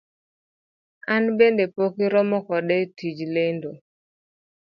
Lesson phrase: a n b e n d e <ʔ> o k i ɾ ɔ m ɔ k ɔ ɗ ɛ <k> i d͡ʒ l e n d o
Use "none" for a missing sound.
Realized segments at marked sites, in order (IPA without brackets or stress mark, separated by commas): p, t